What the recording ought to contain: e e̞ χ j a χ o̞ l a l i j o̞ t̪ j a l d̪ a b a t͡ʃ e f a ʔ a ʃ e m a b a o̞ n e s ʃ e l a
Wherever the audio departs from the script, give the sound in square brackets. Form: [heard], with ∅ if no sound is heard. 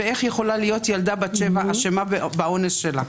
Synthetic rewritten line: e e̞ χ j [e] χ o̞ l a l i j o̞ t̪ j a l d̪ a b a t͡ʃ e [v] a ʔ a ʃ e m a b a o̞ n e s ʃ e l a